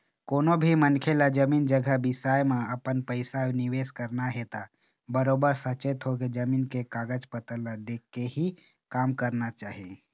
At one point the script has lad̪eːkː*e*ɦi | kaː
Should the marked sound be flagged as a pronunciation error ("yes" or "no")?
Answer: no